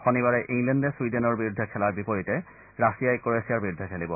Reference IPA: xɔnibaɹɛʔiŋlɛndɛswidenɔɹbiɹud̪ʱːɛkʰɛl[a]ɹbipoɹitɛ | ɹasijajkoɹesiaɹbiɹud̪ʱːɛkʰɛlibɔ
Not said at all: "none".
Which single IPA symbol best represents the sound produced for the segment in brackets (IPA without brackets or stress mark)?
a